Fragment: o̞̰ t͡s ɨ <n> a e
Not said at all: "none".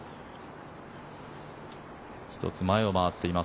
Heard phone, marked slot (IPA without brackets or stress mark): m